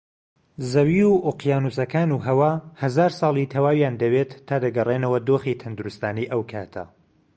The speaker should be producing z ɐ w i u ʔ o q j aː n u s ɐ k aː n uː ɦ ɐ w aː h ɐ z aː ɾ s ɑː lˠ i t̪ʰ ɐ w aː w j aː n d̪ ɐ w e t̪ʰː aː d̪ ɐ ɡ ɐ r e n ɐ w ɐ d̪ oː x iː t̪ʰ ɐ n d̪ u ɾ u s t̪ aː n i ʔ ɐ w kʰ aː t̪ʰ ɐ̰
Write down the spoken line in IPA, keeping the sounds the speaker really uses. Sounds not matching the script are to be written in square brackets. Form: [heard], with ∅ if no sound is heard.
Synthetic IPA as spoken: z ɐ w i u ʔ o q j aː n u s ɐ k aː n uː ɦ ɐ w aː h ɐ z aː ɾ s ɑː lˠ i t̪ʰ ɐ w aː w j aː n d̪ ɐ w e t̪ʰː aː d̪ ɐ ɡ ɐ r e n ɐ w ɐ d̪ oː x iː t̪ʰ ɐ n d̪ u ɾ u s t̪ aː n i ʔ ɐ w kʰ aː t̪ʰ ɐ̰